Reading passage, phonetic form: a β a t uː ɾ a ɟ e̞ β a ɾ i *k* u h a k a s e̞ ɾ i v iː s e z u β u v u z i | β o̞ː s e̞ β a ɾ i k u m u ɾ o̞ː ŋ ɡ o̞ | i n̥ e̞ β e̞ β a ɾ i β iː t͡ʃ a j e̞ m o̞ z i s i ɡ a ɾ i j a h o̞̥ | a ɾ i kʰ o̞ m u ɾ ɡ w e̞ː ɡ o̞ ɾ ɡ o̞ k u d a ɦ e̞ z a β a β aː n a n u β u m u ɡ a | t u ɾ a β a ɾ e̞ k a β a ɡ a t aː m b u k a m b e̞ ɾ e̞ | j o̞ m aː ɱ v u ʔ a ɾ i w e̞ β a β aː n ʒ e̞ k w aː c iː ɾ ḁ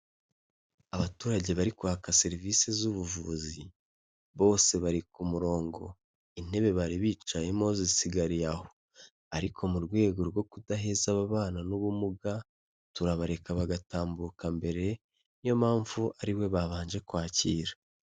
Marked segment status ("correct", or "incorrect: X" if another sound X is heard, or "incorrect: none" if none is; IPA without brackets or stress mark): correct